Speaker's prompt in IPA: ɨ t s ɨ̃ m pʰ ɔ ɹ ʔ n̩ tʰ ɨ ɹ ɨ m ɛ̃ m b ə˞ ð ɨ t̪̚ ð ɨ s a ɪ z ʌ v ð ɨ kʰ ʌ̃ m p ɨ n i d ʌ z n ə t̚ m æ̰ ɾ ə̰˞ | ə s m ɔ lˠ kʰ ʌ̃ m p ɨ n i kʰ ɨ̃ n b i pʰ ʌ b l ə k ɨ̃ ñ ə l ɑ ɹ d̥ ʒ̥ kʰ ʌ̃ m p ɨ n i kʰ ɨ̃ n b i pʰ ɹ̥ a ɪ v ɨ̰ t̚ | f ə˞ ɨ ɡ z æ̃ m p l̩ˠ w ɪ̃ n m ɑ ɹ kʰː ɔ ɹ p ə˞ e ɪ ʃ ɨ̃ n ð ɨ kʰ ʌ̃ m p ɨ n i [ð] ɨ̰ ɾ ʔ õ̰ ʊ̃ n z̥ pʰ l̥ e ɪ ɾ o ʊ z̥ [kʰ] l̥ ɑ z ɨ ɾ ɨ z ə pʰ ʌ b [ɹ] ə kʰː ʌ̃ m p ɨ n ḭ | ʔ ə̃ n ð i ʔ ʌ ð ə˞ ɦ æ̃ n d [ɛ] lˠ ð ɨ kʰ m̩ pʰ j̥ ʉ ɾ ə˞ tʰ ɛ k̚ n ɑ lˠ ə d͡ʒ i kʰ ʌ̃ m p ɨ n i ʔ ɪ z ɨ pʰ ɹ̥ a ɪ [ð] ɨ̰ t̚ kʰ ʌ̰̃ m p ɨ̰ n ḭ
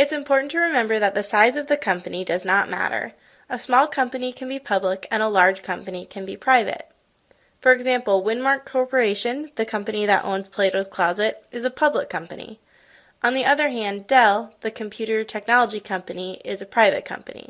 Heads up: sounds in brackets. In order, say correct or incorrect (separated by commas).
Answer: correct, correct, incorrect, correct, incorrect